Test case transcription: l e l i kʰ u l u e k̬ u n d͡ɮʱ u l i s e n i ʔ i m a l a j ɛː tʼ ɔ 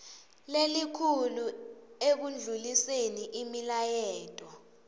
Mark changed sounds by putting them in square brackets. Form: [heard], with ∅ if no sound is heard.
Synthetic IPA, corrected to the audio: l e l i kʰ u l u e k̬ u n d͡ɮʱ u l i s e n i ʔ i m [i] l a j ɛː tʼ ɔ

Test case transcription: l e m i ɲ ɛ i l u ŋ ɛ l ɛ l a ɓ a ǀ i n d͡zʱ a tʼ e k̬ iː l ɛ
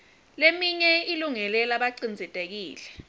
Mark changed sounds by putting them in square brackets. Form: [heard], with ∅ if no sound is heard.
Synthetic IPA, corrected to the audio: l e m i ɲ ɛ i l u ŋ ɛ l ɛ l a ɓ a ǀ i n d͡zʱ [ɛ] tʼ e k̬ iː l ɛ

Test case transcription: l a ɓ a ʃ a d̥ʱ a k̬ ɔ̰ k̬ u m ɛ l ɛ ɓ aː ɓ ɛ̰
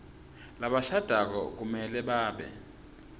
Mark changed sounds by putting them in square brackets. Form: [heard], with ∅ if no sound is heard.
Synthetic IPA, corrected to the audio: l a ɓ a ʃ a d̥ʱ a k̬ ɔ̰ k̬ u m ɛ l ɛ ɓ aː ɓ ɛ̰

